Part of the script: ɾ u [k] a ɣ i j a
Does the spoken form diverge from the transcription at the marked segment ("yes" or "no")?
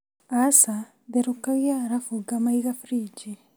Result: no